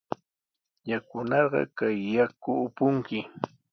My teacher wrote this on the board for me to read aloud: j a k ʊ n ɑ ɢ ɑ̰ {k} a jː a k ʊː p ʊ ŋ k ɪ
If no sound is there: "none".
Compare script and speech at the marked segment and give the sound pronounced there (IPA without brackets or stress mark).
k